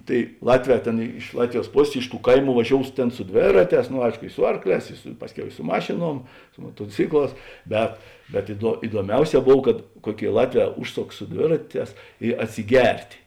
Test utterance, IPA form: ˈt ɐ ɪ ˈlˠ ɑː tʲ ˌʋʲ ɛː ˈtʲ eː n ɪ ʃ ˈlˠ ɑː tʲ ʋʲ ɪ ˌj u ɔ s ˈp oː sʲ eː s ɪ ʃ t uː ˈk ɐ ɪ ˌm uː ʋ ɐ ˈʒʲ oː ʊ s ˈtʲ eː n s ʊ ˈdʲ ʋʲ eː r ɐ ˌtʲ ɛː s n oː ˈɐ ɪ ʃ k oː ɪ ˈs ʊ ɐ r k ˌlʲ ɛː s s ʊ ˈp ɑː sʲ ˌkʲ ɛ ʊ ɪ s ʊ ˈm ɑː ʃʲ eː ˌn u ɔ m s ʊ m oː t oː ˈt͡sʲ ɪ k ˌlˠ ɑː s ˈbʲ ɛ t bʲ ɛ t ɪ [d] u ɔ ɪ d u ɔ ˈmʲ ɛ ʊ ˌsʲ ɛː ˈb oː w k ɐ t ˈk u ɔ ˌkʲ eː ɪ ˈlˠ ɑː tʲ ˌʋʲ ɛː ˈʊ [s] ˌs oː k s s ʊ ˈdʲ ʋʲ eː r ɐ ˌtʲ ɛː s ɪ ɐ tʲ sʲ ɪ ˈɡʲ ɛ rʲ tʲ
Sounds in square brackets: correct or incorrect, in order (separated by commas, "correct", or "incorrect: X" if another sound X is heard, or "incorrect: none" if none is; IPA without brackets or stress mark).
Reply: correct, incorrect: ʃ